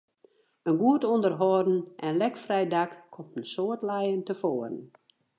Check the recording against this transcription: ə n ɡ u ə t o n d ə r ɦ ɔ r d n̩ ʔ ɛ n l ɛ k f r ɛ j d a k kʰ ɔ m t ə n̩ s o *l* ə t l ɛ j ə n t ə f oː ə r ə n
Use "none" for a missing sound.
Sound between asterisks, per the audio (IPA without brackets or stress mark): none